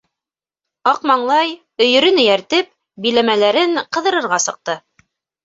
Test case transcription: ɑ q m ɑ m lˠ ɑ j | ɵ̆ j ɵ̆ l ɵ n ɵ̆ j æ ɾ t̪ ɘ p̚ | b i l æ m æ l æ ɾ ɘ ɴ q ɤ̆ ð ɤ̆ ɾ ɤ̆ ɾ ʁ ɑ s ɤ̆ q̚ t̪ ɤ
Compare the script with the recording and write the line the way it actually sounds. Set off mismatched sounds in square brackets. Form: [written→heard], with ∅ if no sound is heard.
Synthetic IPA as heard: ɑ q m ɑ [m→ɴ] lˠ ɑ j | ɵ̆ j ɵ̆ [l→ɾ] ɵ n ɵ̆ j æ ɾ t̪ ɘ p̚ | b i l æ m æ l æ ɾ ɘ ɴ q ɤ̆ ð ɤ̆ ɾ ɤ̆ ɾ ʁ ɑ s ɤ̆ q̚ t̪ ɤ